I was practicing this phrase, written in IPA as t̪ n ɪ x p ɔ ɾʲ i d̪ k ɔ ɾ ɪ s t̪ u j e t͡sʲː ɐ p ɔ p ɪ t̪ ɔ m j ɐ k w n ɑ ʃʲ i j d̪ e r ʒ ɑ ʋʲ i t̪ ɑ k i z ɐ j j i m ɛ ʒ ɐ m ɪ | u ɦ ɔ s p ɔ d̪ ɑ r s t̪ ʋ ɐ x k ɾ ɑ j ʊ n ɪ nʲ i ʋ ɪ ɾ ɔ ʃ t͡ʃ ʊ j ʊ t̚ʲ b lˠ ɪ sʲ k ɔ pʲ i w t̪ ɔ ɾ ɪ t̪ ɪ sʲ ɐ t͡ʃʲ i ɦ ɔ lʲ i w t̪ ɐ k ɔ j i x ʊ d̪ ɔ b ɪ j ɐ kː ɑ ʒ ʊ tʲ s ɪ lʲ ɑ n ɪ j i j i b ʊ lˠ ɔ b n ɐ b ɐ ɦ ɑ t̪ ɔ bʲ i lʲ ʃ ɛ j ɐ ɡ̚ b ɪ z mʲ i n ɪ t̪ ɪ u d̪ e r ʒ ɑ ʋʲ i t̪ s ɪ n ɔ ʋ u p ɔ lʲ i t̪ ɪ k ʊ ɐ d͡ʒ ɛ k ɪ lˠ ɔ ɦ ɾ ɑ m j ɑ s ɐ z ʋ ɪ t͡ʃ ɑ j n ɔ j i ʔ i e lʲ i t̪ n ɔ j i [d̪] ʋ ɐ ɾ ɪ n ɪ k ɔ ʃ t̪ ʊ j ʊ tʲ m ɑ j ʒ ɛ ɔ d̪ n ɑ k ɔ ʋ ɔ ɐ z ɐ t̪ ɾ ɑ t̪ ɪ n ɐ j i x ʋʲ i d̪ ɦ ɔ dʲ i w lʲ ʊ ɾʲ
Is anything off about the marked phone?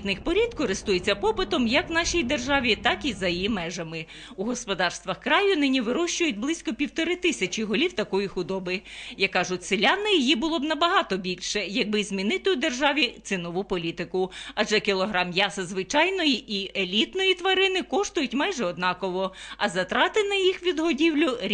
yes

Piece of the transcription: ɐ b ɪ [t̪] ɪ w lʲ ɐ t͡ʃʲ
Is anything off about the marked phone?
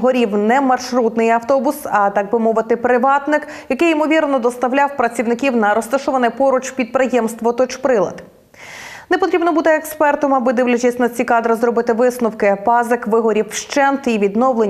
yes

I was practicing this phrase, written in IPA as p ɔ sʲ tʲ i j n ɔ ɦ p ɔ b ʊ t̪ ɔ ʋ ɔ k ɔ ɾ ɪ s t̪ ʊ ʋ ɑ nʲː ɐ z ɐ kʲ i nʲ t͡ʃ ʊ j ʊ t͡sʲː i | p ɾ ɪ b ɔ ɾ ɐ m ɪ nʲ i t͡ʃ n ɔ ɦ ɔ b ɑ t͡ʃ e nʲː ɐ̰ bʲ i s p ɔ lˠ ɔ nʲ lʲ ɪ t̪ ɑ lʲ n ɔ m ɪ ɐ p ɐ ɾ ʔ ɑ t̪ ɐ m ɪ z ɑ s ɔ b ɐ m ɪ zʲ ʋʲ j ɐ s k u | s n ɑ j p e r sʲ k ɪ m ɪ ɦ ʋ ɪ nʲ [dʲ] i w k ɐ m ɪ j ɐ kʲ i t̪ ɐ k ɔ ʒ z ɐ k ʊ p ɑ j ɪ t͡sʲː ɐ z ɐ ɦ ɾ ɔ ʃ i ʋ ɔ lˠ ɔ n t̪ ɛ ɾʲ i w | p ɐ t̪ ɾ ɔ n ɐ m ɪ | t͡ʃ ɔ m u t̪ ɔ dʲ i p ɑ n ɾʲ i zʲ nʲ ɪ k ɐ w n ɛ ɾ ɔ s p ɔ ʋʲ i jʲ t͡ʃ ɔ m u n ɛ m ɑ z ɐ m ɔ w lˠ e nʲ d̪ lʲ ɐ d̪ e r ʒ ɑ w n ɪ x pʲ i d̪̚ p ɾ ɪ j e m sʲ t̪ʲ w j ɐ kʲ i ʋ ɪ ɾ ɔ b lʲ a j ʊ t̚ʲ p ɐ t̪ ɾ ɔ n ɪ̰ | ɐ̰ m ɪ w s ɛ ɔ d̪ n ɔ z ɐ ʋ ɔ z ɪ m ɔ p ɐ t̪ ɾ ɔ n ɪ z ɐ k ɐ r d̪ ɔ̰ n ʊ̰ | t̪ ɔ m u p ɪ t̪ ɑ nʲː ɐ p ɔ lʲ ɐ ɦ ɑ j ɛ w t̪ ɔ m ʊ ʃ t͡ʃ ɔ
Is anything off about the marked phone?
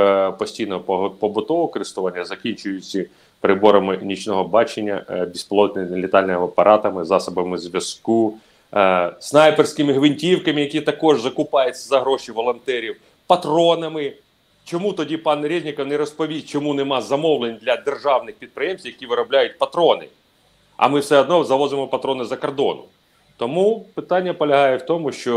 yes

